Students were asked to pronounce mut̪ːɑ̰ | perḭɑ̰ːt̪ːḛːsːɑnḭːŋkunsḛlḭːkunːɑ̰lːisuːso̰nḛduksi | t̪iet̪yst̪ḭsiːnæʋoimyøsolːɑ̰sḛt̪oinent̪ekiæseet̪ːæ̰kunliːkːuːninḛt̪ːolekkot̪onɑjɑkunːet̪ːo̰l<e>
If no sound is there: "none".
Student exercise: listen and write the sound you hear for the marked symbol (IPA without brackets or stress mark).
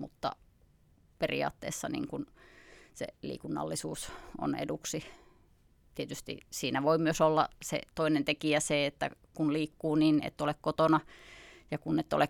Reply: e